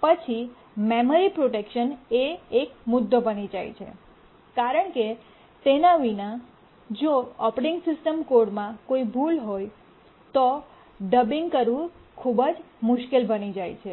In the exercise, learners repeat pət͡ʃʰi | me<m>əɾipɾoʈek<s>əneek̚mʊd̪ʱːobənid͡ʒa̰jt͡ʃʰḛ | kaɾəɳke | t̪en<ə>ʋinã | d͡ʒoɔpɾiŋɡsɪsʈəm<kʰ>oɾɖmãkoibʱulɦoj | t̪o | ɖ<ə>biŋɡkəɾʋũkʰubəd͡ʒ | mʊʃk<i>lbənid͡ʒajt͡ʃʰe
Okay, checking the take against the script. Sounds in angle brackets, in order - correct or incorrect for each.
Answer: correct, incorrect: ʃ, incorrect: a, incorrect: k, correct, incorrect: e

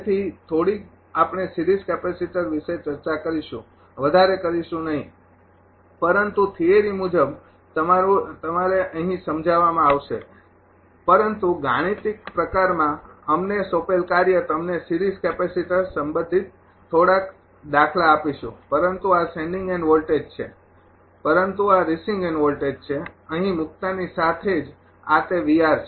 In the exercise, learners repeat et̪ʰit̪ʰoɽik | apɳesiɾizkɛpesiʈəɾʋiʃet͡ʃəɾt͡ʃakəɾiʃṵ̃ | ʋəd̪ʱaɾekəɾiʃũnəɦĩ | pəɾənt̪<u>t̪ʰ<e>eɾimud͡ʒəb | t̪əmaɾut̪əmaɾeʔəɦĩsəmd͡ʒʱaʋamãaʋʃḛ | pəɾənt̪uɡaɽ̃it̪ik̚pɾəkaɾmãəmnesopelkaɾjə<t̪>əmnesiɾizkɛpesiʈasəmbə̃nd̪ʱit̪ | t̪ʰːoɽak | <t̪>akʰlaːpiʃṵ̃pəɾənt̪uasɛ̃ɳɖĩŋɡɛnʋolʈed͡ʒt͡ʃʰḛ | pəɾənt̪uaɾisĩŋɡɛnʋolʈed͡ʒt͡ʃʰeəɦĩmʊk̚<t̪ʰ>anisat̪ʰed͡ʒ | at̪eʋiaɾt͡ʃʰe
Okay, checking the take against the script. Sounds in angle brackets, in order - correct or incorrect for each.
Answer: correct, incorrect: i, correct, incorrect: d̪, incorrect: t̪

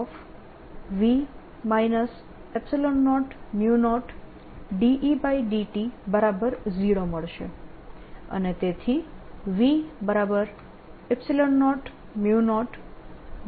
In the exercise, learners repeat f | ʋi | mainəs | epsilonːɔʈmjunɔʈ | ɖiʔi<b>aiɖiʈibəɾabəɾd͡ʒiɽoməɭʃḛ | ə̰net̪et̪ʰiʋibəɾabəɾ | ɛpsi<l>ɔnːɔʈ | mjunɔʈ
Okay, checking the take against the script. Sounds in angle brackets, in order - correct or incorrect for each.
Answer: correct, correct

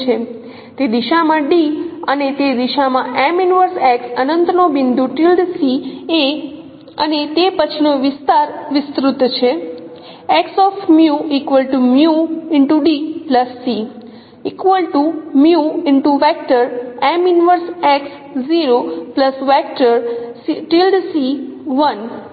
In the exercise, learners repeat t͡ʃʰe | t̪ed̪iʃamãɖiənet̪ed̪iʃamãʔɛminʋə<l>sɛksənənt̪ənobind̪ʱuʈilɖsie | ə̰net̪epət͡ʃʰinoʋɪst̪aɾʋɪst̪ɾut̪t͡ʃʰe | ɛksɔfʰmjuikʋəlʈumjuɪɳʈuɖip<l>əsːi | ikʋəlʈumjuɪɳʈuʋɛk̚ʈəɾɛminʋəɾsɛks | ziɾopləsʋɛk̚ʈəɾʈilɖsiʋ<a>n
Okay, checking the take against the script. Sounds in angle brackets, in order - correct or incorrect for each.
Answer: incorrect: ɾ, correct, incorrect: ə

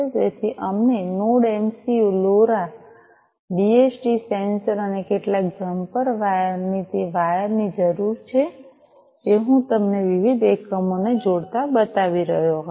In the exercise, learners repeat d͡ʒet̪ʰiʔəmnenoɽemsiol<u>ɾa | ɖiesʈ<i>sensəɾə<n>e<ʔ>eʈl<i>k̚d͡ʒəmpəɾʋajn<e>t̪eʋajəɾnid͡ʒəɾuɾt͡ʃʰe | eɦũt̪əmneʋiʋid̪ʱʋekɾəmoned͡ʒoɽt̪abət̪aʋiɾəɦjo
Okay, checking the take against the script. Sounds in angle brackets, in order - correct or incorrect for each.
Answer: incorrect: o, correct, correct, incorrect: k, incorrect: a, incorrect: i

